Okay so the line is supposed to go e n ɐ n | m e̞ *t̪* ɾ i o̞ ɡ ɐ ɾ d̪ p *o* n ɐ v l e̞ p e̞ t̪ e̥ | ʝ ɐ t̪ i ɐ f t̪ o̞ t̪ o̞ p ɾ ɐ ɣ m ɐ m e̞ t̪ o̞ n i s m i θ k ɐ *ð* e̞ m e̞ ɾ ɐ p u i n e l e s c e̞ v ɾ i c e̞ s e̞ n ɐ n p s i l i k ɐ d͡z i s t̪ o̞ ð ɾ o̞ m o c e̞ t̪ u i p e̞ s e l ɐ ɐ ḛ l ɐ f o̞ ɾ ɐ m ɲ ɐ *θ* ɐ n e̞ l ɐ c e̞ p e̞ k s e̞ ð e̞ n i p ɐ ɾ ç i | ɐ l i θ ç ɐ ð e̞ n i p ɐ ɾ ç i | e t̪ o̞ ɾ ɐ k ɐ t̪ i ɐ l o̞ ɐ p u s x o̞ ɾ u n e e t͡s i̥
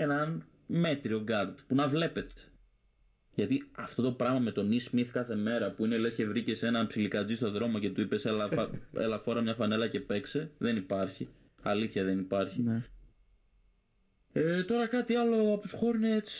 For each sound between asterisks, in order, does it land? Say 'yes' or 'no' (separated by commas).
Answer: yes, no, no, no